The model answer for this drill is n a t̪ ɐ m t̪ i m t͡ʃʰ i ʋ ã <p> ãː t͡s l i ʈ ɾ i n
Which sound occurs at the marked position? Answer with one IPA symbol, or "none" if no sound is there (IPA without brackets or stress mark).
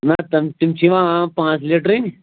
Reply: p